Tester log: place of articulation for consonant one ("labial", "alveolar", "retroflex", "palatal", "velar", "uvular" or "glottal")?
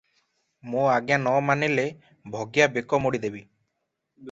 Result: labial